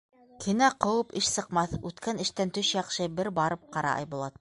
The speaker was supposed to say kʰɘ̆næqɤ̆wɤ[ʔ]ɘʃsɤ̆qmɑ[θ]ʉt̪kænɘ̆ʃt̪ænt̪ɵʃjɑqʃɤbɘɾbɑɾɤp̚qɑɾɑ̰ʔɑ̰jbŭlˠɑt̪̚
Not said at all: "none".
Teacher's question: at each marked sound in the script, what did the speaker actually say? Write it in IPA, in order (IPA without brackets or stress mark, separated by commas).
p, θ